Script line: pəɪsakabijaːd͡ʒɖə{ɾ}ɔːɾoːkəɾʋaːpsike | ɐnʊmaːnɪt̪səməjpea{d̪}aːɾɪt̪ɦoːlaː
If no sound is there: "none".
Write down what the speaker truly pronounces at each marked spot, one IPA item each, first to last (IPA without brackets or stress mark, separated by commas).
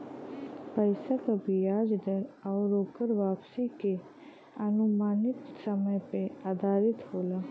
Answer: ɾ, d̪